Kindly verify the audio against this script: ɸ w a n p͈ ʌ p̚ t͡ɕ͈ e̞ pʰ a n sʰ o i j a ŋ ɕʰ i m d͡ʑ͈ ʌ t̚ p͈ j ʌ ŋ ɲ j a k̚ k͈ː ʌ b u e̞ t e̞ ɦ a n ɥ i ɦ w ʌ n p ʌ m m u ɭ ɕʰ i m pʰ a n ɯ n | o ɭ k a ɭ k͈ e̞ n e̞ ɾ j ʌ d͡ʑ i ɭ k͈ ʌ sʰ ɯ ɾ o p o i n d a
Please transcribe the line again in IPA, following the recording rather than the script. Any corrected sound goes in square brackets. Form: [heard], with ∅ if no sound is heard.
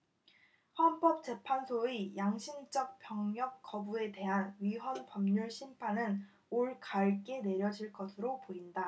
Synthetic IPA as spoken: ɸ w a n p͈ ʌ p̚ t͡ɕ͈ e̞ pʰ a n sʰ o i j a ŋ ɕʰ i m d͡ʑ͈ ʌ [k̚] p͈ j ʌ ŋ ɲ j [ʌ] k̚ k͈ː ʌ b u e̞ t e̞ ɦ a n ɥ i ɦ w ʌ n p ʌ m [ɲ] u ɭ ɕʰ i m pʰ a n ɯ n | o ɭ k a ɭ k͈ e̞ n e̞ ɾ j ʌ d͡ʑ i ɭ k͈ ʌ sʰ ɯ ɾ o p o i n d a